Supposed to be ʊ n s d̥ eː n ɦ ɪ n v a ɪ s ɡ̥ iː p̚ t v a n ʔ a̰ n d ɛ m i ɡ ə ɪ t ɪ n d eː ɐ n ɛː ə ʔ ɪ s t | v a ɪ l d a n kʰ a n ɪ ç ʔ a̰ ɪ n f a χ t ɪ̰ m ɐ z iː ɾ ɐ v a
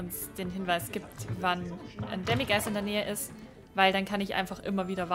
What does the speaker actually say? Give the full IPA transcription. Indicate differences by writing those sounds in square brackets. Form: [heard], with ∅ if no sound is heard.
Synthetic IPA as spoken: ʊ n s d̥ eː n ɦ ɪ n v a ɪ s ɡ̥ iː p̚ t v a n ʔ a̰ n d ɛ m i ɡ [a] ɪ [s] ɪ n d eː ɐ n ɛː ə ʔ ɪ s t | v a ɪ l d a n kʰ a n ɪ ç ʔ a̰ ɪ n f a χ [ʔ] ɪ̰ m ɐ [v] iː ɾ ɐ v a